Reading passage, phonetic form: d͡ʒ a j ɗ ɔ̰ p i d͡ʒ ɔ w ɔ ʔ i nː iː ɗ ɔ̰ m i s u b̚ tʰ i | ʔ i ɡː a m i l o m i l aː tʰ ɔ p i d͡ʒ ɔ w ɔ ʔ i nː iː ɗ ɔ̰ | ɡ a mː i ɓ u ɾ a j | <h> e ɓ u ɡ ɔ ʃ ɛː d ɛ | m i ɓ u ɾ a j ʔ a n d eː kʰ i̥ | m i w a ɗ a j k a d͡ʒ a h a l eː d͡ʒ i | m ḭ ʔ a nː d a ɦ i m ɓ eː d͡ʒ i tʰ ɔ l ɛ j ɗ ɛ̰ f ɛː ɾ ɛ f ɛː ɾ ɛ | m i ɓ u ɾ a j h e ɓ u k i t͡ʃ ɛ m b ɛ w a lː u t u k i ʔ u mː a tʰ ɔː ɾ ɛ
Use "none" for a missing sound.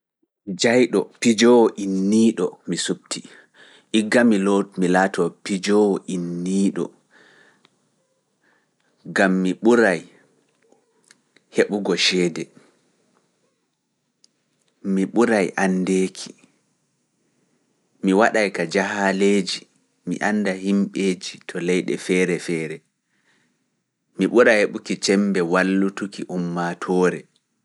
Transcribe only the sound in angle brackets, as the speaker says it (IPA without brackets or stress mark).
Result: h